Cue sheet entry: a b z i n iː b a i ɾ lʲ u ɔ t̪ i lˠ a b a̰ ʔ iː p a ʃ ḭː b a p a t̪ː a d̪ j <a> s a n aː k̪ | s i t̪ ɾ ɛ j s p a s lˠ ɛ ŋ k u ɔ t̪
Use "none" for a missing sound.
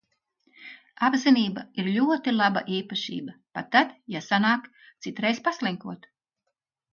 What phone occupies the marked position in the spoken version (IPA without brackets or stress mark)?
a